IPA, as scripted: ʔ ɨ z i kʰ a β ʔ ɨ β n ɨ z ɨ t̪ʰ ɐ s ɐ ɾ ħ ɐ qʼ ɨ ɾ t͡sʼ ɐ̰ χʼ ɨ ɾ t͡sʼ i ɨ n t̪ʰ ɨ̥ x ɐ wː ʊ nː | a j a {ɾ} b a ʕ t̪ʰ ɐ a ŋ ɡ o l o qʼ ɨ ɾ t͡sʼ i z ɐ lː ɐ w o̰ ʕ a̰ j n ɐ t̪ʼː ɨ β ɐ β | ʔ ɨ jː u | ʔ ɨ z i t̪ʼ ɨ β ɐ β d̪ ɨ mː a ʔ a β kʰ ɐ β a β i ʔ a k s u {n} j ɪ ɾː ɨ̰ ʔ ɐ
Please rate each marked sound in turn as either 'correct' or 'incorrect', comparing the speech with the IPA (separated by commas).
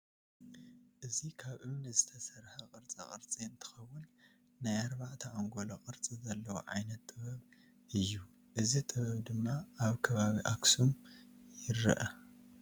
correct, incorrect